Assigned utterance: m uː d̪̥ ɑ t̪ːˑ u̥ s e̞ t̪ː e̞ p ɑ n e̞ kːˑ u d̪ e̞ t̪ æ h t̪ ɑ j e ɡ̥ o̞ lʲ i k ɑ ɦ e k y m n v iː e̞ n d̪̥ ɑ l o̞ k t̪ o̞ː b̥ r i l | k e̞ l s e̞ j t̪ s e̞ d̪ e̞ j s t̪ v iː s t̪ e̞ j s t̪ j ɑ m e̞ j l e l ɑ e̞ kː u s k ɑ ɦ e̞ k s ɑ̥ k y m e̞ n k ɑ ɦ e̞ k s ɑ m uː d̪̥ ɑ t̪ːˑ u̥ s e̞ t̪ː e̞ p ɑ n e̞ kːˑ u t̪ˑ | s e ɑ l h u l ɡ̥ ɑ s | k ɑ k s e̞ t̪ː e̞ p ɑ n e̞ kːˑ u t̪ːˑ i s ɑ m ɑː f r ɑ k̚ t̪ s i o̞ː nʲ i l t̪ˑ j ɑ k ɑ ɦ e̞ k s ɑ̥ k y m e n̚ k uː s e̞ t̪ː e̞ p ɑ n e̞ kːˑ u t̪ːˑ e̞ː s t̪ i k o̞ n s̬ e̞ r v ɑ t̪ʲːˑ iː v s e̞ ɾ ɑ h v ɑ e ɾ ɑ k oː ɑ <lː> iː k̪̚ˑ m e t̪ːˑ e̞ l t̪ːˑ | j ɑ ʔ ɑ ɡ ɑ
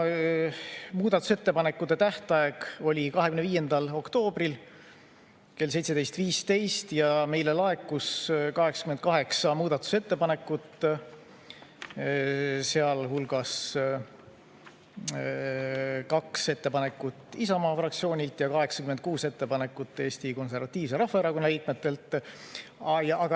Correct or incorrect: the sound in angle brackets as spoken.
incorrect: l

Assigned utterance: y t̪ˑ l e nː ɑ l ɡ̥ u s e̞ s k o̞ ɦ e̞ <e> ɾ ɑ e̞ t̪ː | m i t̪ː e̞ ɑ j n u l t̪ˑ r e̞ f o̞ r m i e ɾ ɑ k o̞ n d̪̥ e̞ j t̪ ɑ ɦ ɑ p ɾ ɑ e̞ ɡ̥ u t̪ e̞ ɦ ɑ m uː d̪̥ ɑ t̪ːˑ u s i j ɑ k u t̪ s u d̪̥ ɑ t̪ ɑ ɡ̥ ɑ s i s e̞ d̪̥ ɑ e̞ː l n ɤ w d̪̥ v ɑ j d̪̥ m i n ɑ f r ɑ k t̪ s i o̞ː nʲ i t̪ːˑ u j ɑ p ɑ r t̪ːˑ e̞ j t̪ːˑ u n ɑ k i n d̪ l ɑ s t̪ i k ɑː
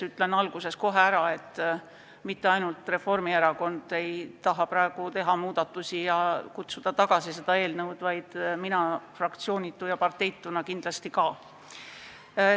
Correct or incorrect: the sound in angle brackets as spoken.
incorrect: æ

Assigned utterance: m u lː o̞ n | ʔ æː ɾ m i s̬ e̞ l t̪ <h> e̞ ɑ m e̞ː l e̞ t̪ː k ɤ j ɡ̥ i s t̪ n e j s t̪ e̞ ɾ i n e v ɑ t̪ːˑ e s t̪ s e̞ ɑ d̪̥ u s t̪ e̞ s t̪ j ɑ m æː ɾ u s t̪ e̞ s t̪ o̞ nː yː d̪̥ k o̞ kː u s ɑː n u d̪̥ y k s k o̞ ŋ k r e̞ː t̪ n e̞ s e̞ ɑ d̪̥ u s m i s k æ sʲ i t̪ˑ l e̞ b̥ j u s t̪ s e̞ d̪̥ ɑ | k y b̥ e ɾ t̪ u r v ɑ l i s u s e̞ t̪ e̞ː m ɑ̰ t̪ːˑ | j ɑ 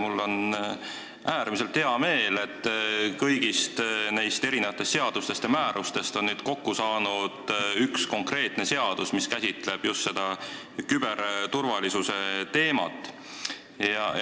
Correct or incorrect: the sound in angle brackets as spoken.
correct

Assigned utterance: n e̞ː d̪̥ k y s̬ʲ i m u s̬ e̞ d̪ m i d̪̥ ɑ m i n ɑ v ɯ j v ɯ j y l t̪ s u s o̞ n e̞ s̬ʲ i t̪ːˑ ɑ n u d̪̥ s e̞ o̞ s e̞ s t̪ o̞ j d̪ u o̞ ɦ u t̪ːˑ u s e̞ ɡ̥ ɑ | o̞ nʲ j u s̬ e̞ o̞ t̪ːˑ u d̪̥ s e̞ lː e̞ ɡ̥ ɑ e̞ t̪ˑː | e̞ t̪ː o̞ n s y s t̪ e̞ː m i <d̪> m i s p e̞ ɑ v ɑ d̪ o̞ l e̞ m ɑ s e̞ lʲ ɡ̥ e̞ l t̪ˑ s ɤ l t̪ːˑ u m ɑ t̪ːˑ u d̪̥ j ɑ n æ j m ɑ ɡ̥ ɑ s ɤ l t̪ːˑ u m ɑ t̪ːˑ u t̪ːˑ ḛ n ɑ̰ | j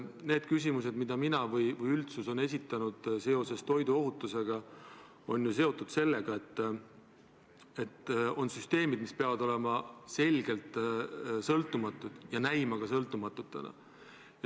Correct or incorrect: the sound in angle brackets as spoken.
correct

